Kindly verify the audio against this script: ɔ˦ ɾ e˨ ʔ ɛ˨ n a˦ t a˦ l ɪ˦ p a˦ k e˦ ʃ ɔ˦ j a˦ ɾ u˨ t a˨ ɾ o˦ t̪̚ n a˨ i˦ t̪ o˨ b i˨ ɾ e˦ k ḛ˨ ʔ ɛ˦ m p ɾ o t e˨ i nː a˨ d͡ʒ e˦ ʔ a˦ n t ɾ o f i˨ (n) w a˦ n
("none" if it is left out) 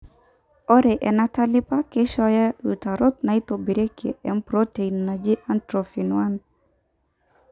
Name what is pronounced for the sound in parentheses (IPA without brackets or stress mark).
n